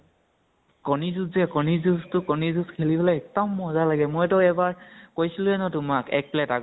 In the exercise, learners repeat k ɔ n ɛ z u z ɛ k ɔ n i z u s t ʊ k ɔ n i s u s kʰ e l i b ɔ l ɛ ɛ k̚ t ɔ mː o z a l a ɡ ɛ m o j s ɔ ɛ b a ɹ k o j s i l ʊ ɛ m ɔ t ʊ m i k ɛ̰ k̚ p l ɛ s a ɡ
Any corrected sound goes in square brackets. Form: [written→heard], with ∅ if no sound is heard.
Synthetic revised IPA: k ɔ n [ɛ→i] z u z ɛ k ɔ n i z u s t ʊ k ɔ n i [s→z] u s kʰ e l i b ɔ l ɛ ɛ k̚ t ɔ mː [o→ɔ] z a l a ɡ ɛ m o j [s→t] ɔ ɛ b a ɹ k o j s i l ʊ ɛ [m→n] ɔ t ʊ m [i→a] k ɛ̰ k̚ p l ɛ [s→t] a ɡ